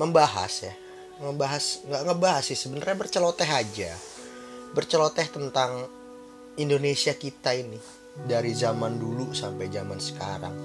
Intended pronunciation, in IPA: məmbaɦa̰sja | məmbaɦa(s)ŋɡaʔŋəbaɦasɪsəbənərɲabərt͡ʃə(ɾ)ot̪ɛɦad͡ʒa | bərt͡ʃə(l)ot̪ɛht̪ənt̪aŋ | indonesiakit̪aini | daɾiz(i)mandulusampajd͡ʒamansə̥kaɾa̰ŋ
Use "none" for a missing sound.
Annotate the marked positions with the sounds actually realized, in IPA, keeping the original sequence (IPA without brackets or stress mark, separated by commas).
s, l, l, a